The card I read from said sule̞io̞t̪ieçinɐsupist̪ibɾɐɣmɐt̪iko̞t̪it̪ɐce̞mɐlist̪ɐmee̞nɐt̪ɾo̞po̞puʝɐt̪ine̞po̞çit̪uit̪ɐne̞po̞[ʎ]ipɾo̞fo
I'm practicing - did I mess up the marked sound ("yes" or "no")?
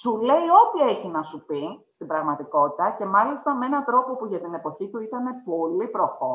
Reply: yes